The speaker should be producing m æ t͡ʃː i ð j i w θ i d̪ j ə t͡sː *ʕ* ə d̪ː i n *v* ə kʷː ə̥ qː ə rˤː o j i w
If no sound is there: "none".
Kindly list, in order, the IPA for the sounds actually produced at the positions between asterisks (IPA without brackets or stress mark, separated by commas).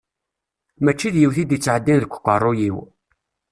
ʕ, ð